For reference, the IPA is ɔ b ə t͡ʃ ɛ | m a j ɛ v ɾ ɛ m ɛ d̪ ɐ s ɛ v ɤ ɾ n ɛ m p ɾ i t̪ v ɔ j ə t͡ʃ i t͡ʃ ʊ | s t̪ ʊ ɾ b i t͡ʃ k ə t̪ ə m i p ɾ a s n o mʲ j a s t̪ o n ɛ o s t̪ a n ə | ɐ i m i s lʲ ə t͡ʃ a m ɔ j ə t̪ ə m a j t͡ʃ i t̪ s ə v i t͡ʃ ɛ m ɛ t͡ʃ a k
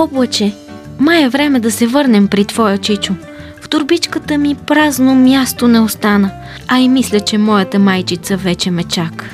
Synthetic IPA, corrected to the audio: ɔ b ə t͡ʃ ɛ | m a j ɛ v ɾ ɛ m ɛ d̪ ɐ s ɛ v ɤ ɾ n ɛ m p ɾ i t̪ v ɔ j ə t͡ʃ i t͡ʃ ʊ | f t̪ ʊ ɾ b i t͡ʃ k ə t̪ ə m i p ɾ a z n o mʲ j a s t̪ o n ɛ o s t̪ a n ə | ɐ i m i s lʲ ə t͡ʃ ɛ m ɔ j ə t̪ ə m a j t͡ʃ i t̪ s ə v ɛ t͡ʃ ɛ m ɛ t͡ʃ a k